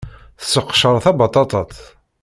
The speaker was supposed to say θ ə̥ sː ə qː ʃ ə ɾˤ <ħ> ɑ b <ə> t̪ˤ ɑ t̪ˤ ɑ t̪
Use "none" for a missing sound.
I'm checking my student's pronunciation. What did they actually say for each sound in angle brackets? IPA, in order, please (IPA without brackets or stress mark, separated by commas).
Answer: θ, ɑ